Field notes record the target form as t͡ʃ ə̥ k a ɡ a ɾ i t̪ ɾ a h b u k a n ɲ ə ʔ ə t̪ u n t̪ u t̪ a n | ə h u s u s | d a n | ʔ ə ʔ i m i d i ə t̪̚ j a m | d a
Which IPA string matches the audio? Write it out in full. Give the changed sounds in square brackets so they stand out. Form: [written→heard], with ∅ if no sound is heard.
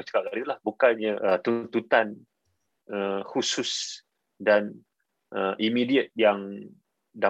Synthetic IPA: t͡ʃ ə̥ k a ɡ a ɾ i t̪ [ɾ→l] a h b u k a n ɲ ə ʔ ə t̪ u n t̪ u t̪ a n | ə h u s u s | d a n | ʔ ə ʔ i m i d i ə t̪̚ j a [m→ŋ] | d a